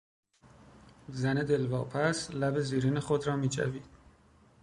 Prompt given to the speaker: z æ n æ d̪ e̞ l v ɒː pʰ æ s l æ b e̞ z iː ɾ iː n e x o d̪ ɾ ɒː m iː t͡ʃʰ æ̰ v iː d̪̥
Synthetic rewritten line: z æ n e d̪ e̞ l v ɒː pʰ æ s l æ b e̞ z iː ɾ iː n e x o d̪ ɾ ɒː m iː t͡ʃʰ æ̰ v iː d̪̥